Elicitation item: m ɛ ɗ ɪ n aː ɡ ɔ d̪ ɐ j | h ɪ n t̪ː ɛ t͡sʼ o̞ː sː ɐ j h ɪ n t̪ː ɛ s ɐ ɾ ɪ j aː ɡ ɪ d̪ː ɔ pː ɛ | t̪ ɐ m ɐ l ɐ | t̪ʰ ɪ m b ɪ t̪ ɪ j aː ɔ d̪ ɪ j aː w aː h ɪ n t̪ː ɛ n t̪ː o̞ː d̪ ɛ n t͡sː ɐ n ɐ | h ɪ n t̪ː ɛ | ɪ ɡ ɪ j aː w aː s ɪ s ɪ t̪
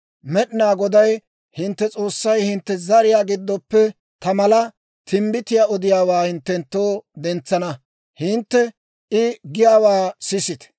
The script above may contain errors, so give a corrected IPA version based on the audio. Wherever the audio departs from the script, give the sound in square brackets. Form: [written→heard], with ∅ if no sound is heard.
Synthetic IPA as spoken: m ɛ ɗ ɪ n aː ɡ ɔ d̪ ɐ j | h ɪ n t̪ː ɛ t͡sʼ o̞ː sː ɐ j h ɪ n t̪ː ɛ [s→z] ɐ ɾ ɪ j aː ɡ ɪ d̪ː ɔ pː ɛ | t̪ ɐ m ɐ l ɐ | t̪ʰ ɪ m b ɪ t̪ ɪ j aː ɔ d̪ ɪ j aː w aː h ɪ n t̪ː ɛ n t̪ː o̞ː d̪ ɛ n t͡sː ɐ n ɐ | h ɪ n t̪ː ɛ | ɪ ɡ ɪ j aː w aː s ɪ s ɪ t̪